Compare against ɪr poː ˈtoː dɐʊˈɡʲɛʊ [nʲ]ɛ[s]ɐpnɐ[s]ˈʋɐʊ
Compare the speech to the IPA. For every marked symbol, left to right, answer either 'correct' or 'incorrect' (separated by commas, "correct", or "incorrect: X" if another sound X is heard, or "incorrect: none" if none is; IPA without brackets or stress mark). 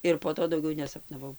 correct, correct, incorrect: none